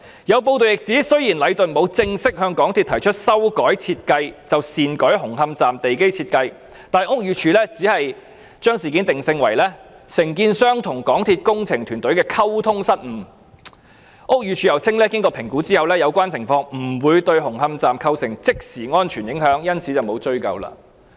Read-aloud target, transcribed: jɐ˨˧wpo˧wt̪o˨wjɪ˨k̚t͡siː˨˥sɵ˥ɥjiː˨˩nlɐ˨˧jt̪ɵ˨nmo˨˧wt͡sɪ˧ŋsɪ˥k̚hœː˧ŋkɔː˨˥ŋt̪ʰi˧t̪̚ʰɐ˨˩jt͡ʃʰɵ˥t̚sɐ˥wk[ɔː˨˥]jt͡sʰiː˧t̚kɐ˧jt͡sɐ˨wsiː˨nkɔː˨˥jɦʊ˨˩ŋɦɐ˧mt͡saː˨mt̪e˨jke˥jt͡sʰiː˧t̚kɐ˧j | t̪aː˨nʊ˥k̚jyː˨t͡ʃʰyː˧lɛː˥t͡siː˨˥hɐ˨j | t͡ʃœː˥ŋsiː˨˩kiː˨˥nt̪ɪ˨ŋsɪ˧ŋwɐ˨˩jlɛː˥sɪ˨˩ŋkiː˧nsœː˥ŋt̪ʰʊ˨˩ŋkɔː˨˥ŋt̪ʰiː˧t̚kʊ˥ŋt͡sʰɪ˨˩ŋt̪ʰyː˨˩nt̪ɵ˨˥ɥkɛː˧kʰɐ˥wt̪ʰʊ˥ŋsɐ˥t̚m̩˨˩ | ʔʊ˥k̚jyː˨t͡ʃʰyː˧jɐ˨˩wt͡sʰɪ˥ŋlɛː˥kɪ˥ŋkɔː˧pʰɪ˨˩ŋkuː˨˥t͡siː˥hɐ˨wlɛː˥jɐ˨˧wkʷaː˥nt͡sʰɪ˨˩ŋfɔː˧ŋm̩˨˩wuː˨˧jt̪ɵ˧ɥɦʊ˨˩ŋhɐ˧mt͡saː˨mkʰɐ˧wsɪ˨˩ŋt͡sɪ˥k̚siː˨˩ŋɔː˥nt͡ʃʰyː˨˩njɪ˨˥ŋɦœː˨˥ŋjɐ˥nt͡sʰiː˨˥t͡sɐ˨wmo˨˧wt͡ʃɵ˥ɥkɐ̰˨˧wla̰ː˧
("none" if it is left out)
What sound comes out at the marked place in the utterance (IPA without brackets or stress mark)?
ɔː˨˥